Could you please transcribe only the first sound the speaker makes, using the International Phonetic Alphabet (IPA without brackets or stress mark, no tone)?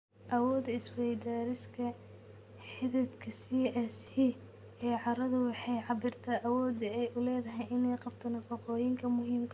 ʔ